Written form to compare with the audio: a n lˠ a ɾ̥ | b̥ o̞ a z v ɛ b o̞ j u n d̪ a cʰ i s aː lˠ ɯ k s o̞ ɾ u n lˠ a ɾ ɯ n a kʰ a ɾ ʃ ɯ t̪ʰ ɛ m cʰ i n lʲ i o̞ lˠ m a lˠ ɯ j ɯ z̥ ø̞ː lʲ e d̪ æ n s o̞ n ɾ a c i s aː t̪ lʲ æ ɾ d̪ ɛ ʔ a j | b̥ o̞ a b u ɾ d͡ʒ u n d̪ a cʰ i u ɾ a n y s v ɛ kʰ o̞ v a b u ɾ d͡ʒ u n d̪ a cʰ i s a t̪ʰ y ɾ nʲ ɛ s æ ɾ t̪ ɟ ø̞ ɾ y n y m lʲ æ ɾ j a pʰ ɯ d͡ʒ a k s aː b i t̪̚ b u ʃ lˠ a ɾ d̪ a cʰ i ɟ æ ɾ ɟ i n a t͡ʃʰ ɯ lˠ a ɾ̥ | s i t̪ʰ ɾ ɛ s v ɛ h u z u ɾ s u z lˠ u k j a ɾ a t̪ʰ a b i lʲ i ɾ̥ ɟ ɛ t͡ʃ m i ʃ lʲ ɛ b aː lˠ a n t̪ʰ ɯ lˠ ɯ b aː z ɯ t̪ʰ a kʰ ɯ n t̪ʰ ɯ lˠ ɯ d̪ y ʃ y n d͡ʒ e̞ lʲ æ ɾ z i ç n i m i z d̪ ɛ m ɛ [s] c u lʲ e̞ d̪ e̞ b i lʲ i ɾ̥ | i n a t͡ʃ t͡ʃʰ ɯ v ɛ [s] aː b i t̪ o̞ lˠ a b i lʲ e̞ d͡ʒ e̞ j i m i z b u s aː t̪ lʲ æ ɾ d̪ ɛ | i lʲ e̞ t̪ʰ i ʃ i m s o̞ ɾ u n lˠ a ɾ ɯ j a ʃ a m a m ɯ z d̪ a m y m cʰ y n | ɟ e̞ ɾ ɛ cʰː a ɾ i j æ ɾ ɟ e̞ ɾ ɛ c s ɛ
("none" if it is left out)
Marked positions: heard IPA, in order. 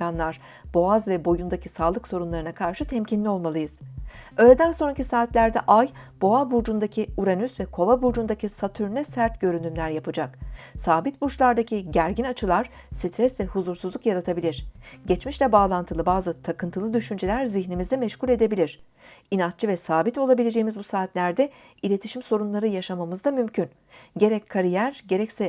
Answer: ʃ, s

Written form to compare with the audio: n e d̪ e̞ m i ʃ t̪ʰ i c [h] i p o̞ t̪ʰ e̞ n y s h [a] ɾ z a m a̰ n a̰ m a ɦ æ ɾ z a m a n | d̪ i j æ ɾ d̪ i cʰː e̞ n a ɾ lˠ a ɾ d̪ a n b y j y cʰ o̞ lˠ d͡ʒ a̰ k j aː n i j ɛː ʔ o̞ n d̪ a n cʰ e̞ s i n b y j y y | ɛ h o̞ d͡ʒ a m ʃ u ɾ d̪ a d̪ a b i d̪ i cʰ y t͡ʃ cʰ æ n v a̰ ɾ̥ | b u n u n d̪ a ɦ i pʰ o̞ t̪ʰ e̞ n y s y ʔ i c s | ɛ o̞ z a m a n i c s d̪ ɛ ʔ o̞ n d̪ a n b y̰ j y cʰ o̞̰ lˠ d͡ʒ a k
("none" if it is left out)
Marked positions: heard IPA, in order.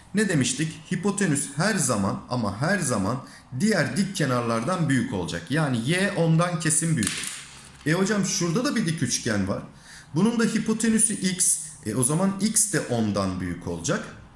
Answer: h, æ

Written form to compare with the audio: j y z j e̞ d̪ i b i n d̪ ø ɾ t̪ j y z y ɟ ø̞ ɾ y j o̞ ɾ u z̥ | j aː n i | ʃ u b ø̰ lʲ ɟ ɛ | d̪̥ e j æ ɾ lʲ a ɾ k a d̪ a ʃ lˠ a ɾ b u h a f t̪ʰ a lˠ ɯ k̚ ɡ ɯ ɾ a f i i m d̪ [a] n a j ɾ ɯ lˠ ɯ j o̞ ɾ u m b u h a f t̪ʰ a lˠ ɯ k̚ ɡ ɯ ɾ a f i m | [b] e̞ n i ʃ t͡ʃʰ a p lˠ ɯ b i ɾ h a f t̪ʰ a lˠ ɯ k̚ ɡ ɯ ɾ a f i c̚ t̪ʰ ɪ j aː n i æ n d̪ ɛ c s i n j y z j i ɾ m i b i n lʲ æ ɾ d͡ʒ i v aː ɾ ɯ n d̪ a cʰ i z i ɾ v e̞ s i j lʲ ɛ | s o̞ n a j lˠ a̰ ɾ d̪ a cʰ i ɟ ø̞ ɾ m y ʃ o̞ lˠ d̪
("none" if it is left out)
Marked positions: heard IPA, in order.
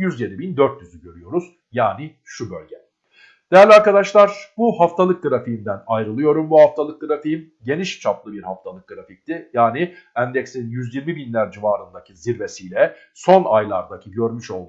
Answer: æ, ɟ

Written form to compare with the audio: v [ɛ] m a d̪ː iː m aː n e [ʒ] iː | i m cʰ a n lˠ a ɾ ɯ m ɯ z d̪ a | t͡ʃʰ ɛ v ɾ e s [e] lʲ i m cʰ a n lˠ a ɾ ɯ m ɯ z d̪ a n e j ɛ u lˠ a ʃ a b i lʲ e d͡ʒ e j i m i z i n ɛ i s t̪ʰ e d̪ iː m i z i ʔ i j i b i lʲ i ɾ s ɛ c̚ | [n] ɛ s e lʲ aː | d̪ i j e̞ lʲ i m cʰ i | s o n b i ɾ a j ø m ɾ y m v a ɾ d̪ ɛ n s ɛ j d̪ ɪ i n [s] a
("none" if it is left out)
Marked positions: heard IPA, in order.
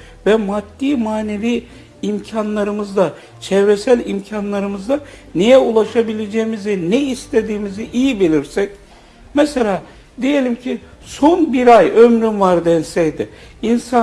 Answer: ɛ, v, æ, m, s

